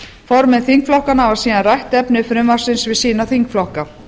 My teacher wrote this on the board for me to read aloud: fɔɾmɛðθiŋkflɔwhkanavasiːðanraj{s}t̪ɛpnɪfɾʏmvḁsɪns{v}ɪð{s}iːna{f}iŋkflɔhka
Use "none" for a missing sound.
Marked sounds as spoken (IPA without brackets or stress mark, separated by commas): h, v, s, θ